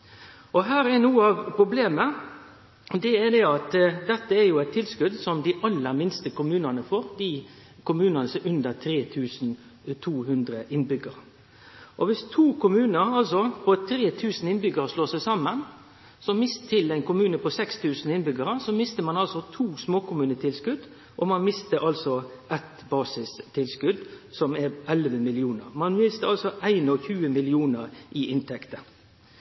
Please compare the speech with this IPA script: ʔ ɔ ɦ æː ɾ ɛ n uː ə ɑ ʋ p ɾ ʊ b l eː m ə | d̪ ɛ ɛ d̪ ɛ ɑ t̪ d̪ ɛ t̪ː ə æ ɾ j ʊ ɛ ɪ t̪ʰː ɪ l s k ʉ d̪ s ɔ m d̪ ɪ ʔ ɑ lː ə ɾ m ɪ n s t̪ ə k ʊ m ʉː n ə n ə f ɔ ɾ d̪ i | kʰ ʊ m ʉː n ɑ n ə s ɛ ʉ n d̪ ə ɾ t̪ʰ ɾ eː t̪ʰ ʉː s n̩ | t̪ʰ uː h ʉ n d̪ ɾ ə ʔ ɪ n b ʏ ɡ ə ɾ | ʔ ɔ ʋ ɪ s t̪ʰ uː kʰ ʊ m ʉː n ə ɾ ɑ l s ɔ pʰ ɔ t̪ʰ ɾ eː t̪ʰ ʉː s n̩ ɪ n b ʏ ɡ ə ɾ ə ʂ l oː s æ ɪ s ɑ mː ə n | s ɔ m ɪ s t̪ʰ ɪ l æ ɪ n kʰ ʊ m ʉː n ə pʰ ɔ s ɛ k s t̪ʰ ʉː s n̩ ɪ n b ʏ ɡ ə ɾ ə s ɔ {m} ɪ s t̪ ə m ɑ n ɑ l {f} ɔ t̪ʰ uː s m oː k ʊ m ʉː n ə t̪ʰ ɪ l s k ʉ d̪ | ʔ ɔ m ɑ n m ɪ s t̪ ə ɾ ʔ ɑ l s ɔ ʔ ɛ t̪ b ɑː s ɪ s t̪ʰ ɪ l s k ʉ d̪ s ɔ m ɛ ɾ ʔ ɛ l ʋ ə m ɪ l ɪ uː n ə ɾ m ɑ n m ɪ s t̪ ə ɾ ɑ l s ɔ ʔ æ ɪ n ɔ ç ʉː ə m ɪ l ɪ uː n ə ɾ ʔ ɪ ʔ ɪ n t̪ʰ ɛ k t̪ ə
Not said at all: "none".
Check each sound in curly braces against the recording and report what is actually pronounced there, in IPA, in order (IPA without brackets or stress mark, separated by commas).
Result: m, s